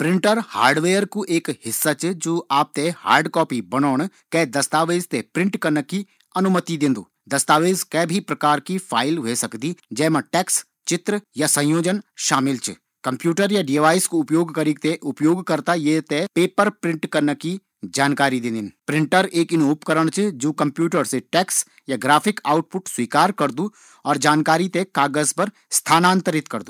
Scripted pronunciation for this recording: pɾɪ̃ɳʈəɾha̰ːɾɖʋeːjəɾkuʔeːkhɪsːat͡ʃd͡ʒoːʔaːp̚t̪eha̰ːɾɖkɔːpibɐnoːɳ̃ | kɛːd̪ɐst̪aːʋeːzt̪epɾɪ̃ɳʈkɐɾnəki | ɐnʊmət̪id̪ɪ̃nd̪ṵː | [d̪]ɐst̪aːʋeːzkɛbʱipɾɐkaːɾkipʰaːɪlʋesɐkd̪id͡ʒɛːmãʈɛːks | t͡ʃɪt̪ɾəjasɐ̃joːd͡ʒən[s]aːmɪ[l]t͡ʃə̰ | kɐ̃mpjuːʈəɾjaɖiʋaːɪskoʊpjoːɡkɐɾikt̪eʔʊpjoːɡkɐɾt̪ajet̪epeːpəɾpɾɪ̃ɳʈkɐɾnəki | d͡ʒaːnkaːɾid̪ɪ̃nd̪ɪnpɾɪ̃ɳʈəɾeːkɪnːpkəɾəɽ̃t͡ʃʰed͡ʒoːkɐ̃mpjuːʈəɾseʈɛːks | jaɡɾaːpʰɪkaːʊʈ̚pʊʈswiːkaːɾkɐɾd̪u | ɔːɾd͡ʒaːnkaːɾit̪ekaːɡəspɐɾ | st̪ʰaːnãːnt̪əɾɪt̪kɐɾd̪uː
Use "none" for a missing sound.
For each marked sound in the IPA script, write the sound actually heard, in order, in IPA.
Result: d̪, ʃ, l

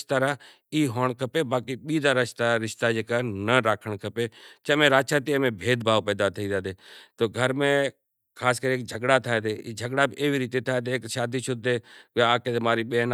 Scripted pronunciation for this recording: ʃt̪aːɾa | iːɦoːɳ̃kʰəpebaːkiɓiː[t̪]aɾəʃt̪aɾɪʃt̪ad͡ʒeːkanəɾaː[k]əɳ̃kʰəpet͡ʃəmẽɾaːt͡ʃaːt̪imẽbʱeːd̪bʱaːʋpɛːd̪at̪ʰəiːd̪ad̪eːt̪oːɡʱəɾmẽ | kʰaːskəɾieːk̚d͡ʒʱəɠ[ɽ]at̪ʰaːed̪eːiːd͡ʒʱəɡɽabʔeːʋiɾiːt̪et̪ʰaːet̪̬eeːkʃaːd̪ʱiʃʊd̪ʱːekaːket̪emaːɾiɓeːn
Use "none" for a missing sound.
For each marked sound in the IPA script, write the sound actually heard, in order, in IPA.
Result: d̪, kʰ, ɽ

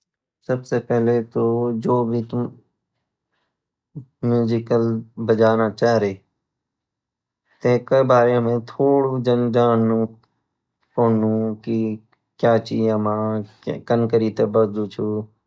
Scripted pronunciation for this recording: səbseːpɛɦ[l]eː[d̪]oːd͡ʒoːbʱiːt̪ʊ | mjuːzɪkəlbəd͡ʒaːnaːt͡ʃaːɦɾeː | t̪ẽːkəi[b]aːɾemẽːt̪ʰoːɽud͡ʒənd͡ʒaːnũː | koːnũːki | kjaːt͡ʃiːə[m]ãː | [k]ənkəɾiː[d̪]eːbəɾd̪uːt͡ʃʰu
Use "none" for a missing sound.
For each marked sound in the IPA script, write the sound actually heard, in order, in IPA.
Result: l, t̪, b, m, k, t̪

